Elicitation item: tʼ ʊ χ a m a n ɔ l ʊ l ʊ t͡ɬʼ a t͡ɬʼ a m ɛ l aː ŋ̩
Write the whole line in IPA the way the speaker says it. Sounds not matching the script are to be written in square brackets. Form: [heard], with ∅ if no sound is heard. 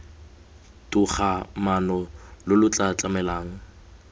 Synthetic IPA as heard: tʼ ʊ χ a m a n ɔ l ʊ l ʊ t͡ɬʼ a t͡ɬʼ a m ɛ l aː ŋ̩